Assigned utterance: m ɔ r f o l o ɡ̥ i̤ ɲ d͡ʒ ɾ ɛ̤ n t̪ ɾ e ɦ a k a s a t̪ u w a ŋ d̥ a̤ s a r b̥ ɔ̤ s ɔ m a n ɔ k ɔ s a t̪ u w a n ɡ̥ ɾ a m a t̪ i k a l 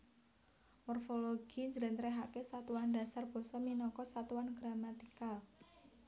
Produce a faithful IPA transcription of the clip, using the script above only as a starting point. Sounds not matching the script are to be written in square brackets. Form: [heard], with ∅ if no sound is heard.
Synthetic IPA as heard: m ɔ r f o l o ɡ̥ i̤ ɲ d͡ʒ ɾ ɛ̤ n t̪ ɾ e ɦ a k [e] s a t̪ u w a [n] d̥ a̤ s a r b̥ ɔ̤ s ɔ m [i] n ɔ k ɔ s a t̪ u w a n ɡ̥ ɾ a m a t̪ i k a l

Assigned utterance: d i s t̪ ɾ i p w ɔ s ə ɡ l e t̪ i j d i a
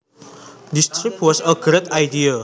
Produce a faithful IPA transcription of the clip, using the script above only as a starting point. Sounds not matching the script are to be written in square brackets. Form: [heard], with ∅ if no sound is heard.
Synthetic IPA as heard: d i s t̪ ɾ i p w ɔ s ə ɡ [ɾ] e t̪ [a] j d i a

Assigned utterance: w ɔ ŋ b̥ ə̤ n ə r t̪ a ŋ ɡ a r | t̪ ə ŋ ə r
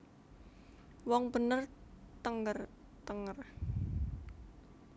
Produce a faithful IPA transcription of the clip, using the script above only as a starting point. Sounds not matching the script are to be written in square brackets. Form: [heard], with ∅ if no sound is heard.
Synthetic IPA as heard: w ɔ ŋ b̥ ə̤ n ə r t̪ [ə] ŋ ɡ [ə] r | t̪ ə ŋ ə r

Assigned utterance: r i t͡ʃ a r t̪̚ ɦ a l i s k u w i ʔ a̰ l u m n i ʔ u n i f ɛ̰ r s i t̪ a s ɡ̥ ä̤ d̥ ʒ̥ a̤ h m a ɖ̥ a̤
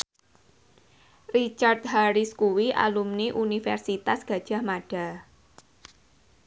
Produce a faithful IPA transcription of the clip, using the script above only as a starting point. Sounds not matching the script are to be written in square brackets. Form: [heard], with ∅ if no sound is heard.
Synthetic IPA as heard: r i t͡ʃ a r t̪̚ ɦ a [ɾ] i s k u w i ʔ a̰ l u m n i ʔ u n i f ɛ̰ r s i t̪ a s ɡ̥ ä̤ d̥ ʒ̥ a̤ h m a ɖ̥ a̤

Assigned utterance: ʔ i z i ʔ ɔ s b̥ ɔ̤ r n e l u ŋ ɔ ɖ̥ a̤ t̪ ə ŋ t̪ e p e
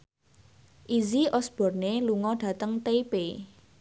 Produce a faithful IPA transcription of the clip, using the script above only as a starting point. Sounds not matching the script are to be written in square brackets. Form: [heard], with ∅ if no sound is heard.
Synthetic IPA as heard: ʔ i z i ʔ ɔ s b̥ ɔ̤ r n e l u ŋ ɔ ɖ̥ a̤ t̪ ə ŋ t̪ e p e

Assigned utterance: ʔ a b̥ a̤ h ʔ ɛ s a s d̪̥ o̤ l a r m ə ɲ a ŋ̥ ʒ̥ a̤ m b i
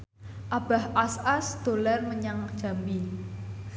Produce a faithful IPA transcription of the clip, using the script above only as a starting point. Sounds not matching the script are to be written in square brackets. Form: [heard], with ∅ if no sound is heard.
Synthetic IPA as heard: ʔ a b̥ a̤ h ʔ [a] s a s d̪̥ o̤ l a r m ə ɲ a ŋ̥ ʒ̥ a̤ m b i

